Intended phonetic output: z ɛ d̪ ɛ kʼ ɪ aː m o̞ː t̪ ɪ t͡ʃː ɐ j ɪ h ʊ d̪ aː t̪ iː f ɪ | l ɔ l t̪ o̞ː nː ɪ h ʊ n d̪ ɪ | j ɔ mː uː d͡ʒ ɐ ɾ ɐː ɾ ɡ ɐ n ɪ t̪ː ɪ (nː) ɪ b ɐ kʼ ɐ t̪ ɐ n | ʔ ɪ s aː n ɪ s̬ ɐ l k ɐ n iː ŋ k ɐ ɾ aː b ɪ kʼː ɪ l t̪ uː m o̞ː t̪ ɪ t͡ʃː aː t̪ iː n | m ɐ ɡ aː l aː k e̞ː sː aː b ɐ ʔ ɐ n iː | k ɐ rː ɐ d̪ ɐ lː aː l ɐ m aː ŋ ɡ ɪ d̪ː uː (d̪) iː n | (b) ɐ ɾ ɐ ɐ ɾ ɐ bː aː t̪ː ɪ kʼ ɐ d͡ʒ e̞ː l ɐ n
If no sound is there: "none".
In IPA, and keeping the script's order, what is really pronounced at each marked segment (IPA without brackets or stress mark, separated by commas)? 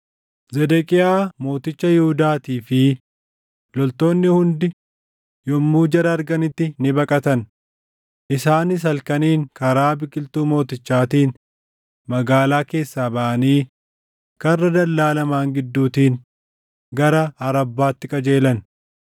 n, t̪, ɡ